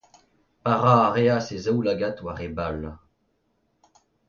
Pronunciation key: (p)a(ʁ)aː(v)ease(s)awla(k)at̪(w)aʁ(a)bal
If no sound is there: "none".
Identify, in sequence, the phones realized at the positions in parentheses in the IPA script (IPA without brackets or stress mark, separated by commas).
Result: p, ʁ, ʁ, z, ɡ, w, e